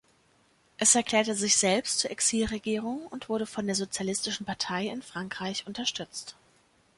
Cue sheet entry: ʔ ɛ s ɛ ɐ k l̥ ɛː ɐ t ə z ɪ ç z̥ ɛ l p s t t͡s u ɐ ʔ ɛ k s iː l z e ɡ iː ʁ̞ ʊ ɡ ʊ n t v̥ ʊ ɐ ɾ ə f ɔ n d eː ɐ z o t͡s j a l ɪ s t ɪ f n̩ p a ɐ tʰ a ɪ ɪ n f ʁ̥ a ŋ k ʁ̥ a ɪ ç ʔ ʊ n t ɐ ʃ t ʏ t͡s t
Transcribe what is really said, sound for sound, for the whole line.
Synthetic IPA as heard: ʔ ɛ s ɛ ɐ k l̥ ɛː ɐ t ə z ɪ ç z̥ ɛ l p s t t͡s u ɐ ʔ ɛ k s iː l ʁ e ɡ iː ʁ̞ ʊ ŋ ʊ n t v̥ ʊ ɐ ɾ ə f ɔ n d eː ɐ z o t͡s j a l ɪ s t ɪ ʃ n̩ p a ɐ tʰ a ɪ ɪ n f ʁ̥ a ŋ k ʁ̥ a ɪ ç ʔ ʊ n t ɐ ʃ t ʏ t͡s t